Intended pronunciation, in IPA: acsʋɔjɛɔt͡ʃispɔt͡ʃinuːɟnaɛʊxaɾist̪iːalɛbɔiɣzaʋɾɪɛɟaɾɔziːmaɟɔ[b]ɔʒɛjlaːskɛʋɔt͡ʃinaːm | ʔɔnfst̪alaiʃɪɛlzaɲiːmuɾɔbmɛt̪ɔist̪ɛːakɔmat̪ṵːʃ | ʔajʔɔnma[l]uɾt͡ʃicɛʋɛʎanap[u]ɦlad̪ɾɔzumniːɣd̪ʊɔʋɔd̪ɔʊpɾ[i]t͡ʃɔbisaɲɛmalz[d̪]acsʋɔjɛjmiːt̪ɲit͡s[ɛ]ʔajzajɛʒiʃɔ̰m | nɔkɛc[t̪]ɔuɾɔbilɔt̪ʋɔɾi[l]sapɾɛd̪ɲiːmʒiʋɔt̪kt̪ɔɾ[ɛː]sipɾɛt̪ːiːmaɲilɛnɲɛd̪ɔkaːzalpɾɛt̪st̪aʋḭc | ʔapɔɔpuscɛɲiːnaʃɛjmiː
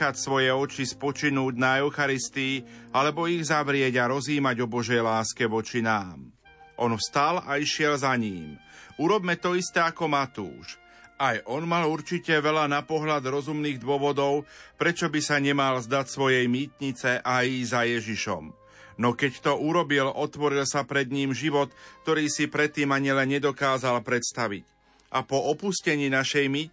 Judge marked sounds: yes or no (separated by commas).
yes, yes, no, no, yes, yes, yes, yes, no